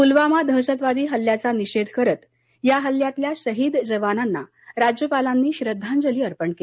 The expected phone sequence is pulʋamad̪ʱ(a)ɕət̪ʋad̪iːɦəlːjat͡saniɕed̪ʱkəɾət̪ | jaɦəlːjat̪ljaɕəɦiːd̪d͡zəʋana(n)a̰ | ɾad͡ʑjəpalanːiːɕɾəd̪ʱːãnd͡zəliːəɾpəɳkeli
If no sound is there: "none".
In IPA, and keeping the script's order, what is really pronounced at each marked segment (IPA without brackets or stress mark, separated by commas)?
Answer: ə, nː